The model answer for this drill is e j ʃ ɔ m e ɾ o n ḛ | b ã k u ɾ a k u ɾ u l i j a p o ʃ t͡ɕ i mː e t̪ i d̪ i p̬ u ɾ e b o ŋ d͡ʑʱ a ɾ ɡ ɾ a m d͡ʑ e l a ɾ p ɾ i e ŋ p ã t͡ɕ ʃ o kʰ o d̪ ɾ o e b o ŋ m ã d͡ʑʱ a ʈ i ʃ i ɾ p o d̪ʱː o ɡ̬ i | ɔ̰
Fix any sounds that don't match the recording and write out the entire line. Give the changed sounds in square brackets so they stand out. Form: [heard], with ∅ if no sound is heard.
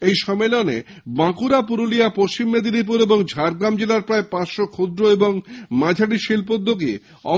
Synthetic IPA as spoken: e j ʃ ɔ m e [l] o n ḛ | b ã k u ɾ a [p] u ɾ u l i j a p o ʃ t͡ɕ i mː e [d̪] i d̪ i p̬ u ɾ e b o ŋ d͡ʑʱ a ɾ ɡ ɾ a m d͡ʑ e l a ɾ p ɾ [a] e [∅] p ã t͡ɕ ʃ o kʰ o d̪ ɾ o e b o ŋ m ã d͡ʑʱ a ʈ i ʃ i [l] p o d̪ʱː o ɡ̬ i | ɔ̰

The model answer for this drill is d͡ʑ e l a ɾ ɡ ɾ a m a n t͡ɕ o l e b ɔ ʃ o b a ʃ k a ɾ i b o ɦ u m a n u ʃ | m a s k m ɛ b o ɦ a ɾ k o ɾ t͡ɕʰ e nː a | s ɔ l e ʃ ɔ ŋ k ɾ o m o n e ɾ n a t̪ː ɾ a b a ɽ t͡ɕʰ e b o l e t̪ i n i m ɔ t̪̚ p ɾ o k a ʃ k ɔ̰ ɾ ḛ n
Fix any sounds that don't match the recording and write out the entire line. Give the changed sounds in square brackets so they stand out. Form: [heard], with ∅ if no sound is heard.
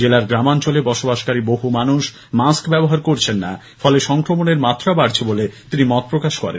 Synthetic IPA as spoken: d͡ʑ e l a ɾ ɡ ɾ a m a n t͡ɕ o l e b ɔ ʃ o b a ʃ k a ɾ i b o ɦ u m a n u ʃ | m a s k [b] ɛ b o ɦ a ɾ k o ɾ t͡ɕʰ e nː a | [f] ɔ l e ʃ ɔ ŋ k ɾ o m o n e ɾ [m] a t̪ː ɾ a b a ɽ t͡ɕʰ e b o l e t̪ i n i m ɔ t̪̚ p ɾ o k a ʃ k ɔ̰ ɾ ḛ n

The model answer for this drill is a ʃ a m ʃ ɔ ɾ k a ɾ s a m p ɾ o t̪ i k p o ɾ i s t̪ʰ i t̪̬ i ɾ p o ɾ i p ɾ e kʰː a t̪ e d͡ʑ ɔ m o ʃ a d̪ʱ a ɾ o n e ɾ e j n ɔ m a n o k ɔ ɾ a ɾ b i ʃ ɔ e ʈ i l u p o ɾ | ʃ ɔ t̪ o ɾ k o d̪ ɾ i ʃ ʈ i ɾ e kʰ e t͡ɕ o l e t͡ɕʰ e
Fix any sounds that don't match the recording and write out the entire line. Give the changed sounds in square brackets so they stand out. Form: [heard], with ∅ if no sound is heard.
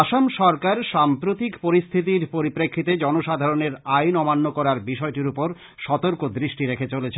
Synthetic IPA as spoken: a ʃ a m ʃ ɔ ɾ k a ɾ [ʃ] a m p ɾ o t̪ i k p o ɾ i s t̪ʰ i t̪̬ i ɾ p o ɾ i p ɾ e kʰː [i] t̪ e d͡ʑ ɔ [n] o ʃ a d̪ʱ a ɾ o n e ɾ [a] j n ɔ m a [nː] o k ɔ ɾ a ɾ b i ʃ ɔ e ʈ i [ɾ] u p o ɾ | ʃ ɔ t̪ o ɾ k o d̪ ɾ i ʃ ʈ i ɾ e kʰ e t͡ɕ o l e t͡ɕʰ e

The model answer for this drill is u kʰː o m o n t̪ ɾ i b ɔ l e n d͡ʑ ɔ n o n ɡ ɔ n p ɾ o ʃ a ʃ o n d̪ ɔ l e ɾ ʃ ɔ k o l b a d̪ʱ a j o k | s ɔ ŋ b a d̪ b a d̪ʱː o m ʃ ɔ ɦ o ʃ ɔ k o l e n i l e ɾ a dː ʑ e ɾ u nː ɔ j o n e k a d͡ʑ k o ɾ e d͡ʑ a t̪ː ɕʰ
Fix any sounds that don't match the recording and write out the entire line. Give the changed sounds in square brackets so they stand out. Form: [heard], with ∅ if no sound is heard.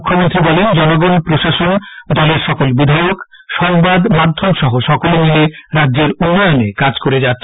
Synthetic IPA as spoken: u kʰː o m o n t̪ ɾ i b ɔ l e n d͡ʑ ɔ n o [∅] ɡ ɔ n p ɾ o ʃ a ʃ o n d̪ ɔ l e ɾ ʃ ɔ k o l b [i] d̪ʱ a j o k | [ʃ] ɔ ŋ b a d̪ [m] a d̪ʱː o m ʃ ɔ ɦ o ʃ ɔ k o l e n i l e ɾ a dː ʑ e ɾ u nː ɔ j o n e k a d͡ʑ k o ɾ e d͡ʑ a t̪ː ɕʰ

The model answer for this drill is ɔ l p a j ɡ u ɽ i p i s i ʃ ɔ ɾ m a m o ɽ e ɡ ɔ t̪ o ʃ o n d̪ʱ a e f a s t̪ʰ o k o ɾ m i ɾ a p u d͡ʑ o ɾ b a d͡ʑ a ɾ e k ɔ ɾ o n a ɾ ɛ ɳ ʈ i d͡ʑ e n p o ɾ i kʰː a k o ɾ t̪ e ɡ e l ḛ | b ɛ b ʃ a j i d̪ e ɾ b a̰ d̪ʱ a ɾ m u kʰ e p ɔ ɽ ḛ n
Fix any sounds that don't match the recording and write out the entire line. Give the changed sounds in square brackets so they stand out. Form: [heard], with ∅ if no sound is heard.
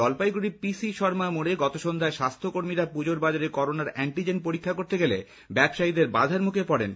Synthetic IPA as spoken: ɔ l p a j ɡ u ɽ i p i s i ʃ ɔ ɾ m a m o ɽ e ɡ ɔ t̪ o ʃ o n d̪ʱ a e [ʃ] a s t̪ʰ o k o ɾ m i ɾ a p u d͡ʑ o ɾ b a d͡ʑ a ɾ e k ɔ ɾ o n a ɾ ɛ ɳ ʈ i d͡ʑ e n p o ɾ i kʰː a k o ɾ t̪ e ɡ e l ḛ | b ɛ b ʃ a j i d̪ e ɾ b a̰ d̪ʱ a ɾ m u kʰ e p ɔ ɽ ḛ n

